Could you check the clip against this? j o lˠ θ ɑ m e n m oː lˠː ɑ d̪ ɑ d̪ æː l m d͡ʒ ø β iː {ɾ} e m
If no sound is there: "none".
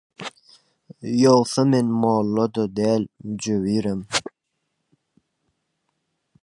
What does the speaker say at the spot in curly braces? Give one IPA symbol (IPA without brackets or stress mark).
ɾ